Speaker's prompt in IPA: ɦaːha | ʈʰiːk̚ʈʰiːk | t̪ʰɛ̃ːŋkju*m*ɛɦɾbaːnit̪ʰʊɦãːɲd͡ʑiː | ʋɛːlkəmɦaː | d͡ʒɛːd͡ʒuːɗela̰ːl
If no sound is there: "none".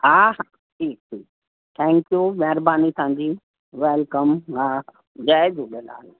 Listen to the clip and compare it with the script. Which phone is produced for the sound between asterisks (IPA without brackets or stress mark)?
m